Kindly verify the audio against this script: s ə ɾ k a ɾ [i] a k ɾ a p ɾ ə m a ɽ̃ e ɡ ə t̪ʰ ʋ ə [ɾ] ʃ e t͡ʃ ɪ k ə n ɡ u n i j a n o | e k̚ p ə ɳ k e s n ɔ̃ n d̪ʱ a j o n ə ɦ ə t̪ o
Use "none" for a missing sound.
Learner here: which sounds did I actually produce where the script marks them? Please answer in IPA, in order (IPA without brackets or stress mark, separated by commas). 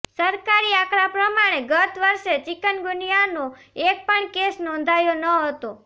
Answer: i, ɾ